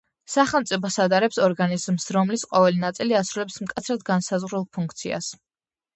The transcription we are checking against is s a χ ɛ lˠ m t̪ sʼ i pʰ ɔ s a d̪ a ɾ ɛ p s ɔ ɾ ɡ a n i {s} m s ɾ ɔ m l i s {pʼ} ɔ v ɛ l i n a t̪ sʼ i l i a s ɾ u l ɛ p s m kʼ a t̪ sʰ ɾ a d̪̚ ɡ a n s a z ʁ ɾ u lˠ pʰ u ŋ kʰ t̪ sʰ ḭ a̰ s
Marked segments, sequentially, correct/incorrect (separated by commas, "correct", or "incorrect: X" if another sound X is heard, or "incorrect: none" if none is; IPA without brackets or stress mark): incorrect: z, incorrect: qʼ